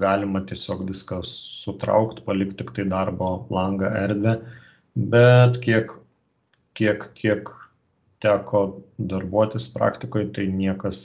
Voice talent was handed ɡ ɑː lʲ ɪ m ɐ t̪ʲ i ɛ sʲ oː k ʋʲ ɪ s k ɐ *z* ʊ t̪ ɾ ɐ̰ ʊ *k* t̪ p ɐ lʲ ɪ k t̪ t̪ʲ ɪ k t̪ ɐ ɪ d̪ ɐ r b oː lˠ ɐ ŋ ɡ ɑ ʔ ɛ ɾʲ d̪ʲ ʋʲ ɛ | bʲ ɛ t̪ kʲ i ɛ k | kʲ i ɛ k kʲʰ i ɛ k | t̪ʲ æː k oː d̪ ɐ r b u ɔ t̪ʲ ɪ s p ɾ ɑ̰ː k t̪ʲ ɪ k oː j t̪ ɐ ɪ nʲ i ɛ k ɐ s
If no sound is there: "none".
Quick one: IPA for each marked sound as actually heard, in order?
s, k

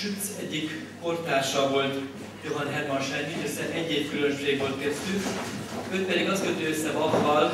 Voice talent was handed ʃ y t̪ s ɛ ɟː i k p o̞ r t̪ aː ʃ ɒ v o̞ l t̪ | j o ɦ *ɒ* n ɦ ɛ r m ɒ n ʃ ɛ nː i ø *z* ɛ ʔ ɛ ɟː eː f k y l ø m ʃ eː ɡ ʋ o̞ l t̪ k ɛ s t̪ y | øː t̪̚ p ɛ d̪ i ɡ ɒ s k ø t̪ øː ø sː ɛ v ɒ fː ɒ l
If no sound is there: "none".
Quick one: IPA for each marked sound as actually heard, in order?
ɒ, s

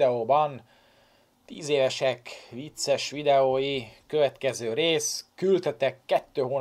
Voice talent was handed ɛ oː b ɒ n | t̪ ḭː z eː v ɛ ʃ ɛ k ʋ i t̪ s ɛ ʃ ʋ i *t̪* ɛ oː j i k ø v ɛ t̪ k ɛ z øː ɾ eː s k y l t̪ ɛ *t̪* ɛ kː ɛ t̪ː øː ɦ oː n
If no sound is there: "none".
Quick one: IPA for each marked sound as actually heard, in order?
d̪, t̪

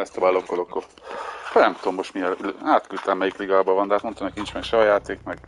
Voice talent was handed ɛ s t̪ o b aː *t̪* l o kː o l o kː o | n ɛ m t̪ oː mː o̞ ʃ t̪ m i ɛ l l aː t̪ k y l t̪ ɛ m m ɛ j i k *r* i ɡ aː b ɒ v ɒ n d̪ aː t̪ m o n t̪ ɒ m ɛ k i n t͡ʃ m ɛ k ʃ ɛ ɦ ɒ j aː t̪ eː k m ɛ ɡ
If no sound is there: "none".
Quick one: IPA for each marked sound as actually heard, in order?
none, l

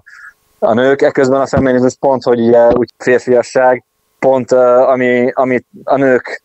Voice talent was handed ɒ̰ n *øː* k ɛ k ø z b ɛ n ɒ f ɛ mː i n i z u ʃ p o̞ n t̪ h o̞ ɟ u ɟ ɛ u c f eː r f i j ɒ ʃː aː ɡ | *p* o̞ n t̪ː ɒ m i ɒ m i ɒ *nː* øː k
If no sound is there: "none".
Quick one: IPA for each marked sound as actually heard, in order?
øː, p, n

